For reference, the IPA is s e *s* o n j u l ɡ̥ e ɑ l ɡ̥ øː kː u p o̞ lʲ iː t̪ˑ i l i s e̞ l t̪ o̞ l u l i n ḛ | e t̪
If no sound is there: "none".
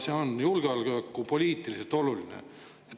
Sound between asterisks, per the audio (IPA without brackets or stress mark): none